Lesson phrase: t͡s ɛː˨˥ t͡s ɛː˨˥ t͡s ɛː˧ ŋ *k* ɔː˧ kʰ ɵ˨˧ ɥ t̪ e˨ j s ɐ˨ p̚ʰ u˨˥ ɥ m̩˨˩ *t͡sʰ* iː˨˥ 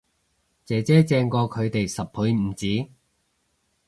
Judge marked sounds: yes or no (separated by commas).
yes, no